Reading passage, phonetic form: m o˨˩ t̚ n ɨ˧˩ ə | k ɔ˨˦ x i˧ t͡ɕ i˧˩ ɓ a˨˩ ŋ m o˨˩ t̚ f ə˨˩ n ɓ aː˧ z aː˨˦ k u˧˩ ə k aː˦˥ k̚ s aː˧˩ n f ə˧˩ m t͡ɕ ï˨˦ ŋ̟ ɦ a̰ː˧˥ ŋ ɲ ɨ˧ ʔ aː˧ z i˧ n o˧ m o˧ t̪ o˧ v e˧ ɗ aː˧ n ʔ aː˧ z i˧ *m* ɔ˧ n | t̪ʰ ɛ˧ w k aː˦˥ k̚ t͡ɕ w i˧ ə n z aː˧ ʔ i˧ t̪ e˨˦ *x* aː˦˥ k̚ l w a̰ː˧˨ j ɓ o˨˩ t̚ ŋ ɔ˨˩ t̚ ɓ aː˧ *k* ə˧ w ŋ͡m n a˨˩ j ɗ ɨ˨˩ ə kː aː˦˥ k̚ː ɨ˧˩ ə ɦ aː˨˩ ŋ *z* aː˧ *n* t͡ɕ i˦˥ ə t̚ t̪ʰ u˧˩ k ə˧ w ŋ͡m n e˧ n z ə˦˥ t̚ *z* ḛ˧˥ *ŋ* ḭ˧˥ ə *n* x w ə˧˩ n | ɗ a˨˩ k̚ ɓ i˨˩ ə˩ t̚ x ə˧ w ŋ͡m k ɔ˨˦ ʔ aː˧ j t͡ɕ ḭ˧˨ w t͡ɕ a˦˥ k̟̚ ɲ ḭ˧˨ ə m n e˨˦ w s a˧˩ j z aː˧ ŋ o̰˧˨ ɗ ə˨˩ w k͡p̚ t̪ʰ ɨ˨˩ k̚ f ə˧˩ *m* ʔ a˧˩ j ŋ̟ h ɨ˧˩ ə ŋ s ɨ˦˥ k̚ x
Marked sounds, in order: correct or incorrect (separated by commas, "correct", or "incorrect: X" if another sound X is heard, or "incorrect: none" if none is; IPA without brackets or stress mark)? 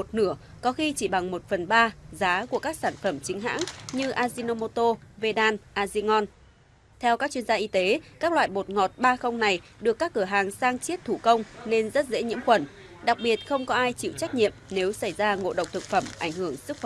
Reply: incorrect: ŋ, incorrect: k, incorrect: x, incorrect: s, incorrect: ŋ, correct, incorrect: ɲ, incorrect: m, correct